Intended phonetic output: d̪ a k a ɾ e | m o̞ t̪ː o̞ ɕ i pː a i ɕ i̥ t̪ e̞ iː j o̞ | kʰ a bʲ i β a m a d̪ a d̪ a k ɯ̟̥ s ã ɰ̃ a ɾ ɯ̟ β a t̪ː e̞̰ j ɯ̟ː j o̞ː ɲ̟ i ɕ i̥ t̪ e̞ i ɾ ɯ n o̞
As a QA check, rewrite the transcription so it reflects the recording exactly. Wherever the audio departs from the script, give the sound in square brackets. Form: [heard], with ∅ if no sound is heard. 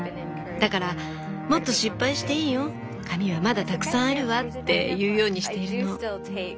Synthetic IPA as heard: d̪ a k a ɾ [a] | m o̞ t̪ː o̞ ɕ i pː a i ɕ i̥ t̪ e̞ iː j o̞ | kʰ a [mʲ] i β a m a d̪ a [t̪] a k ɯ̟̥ s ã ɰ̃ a ɾ ɯ̟ β a t̪ː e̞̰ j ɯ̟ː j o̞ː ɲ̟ i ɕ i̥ t̪ e̞ i ɾ ɯ n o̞